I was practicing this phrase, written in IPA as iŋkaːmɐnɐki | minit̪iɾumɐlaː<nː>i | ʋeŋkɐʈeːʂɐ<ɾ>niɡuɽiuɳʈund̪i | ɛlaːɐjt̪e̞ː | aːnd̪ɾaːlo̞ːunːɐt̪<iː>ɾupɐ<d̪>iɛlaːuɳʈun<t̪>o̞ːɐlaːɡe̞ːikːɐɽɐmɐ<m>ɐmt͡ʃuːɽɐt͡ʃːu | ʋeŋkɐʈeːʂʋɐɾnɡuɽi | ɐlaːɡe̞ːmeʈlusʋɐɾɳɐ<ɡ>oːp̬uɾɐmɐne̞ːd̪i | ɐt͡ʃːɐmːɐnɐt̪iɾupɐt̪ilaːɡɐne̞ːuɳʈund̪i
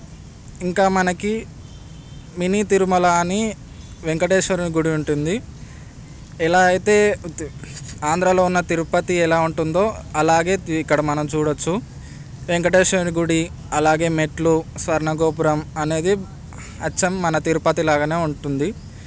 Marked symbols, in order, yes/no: no, yes, no, no, no, no, yes

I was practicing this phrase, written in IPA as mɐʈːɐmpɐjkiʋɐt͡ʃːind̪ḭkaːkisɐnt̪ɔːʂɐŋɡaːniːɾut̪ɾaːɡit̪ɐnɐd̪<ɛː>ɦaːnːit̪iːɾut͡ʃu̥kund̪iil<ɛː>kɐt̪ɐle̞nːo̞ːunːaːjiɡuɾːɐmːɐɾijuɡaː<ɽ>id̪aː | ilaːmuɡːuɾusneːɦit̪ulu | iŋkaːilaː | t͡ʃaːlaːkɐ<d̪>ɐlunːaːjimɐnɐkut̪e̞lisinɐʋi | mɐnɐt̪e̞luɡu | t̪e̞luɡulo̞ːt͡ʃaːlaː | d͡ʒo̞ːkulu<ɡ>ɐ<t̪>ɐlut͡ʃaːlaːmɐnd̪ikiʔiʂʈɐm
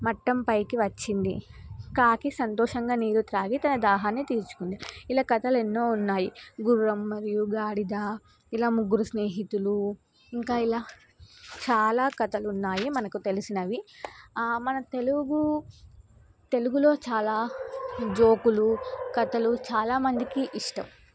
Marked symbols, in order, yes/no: no, no, yes, no, no, yes

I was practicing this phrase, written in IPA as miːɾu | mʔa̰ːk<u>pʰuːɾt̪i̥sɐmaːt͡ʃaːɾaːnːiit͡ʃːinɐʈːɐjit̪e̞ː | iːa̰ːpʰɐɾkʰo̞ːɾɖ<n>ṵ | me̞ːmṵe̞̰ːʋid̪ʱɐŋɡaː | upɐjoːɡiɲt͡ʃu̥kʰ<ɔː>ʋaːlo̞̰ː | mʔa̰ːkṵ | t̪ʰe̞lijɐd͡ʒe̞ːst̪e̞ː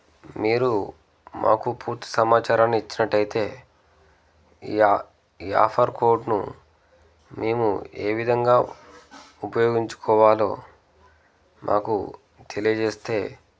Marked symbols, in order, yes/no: yes, yes, yes

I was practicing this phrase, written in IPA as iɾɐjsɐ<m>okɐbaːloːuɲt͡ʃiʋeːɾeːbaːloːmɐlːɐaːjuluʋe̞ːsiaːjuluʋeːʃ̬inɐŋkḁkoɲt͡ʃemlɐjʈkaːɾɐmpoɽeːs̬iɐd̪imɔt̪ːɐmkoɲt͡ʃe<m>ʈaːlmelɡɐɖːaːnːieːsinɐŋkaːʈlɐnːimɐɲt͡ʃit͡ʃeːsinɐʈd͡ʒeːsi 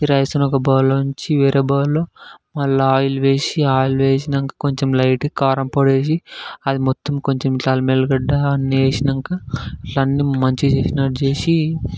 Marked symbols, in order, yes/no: no, yes

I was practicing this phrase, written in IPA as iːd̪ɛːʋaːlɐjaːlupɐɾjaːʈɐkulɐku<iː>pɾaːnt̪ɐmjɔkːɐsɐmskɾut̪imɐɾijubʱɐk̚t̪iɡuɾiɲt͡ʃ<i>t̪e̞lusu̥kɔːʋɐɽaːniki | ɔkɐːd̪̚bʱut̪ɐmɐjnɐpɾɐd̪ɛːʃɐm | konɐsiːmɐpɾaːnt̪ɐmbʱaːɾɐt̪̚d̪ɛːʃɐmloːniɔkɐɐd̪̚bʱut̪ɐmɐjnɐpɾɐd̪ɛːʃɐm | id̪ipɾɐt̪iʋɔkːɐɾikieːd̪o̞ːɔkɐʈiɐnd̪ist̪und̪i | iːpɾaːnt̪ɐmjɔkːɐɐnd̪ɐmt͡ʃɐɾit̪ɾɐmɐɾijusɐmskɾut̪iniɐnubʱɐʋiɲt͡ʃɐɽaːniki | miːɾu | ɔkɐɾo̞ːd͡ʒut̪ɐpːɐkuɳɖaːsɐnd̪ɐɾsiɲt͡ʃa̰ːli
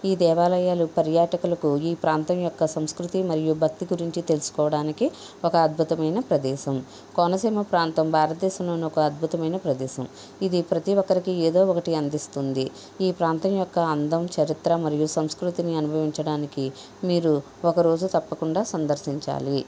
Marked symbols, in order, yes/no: yes, yes

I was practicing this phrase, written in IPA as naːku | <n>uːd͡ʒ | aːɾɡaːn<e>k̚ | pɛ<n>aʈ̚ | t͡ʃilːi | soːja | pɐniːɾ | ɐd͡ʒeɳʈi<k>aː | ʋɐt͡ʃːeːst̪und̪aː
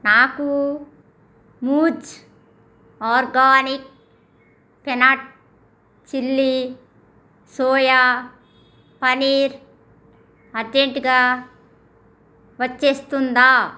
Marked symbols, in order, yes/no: no, no, yes, no

